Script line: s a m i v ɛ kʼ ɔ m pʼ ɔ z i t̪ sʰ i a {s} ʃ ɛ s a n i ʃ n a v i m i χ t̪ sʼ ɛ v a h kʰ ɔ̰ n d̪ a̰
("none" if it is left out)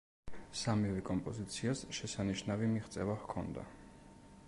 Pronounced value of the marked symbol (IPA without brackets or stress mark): s